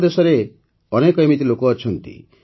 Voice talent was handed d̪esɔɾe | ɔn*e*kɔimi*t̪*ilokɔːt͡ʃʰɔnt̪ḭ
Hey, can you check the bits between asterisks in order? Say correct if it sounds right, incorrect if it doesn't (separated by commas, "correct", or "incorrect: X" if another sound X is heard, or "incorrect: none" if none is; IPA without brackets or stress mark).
correct, correct